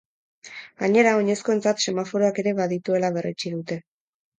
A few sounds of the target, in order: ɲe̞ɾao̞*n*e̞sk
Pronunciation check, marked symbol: incorrect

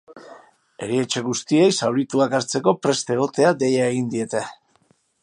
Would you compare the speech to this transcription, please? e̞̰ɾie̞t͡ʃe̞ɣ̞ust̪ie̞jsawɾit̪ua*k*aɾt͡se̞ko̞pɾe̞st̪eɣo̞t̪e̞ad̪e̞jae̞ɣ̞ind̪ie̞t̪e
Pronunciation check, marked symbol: correct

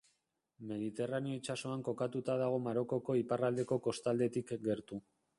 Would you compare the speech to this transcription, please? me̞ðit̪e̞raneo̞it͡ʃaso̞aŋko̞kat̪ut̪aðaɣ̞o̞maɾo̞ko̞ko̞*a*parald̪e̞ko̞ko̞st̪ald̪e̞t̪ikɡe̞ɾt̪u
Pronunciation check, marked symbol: incorrect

